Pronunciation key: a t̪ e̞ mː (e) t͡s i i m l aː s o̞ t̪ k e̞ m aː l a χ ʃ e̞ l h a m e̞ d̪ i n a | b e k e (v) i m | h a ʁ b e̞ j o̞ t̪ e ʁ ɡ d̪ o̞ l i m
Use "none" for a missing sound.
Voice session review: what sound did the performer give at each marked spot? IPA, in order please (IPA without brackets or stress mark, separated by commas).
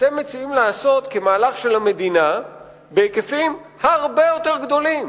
e, f